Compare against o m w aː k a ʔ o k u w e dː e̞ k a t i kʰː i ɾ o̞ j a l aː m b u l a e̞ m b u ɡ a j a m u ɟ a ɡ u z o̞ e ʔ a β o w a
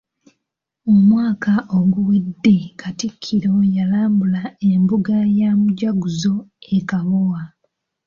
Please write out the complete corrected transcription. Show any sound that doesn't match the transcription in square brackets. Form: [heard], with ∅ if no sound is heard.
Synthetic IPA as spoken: o m w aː k a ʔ o [ɡ] u w e dː e̞ k a t i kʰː i ɾ o̞ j a l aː m b u l a e̞ m b u ɡ a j a m u ɟ a ɡ u z o̞ e [k] a β o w a